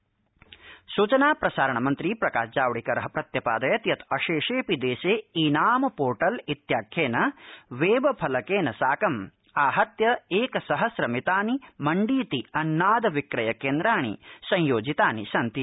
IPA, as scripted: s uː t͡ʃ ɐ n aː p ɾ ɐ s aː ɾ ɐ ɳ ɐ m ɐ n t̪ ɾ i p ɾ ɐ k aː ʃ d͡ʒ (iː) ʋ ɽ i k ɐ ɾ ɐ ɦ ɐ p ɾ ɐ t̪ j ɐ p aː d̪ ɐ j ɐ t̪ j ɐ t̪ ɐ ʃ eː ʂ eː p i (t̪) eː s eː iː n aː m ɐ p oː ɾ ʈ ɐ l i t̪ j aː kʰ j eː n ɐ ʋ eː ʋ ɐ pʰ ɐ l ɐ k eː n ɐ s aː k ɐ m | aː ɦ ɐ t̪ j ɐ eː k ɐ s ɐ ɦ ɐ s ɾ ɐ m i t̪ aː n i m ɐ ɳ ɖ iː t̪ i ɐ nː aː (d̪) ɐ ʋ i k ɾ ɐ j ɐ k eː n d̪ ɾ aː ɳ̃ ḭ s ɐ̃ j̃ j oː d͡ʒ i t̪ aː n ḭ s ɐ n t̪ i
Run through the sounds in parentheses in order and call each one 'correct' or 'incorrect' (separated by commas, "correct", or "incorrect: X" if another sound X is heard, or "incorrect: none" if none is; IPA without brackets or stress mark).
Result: incorrect: aː, incorrect: d̪, correct